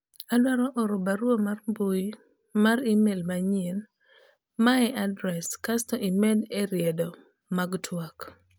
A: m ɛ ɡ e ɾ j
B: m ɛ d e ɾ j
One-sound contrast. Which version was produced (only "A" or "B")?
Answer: B